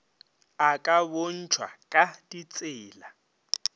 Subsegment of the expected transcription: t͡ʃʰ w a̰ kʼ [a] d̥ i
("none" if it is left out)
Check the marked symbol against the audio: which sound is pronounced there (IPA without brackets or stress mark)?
a